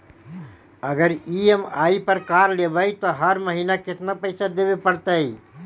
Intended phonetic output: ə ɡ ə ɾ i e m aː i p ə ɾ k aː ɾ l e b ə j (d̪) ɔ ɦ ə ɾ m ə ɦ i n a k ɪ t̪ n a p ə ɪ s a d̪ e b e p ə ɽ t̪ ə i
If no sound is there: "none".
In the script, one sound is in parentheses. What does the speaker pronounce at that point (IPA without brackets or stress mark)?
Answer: t̪